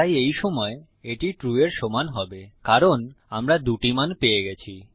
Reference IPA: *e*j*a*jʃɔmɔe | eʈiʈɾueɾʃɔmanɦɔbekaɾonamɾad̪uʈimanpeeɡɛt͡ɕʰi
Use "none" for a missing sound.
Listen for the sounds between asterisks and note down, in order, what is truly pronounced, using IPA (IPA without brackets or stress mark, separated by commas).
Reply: a, e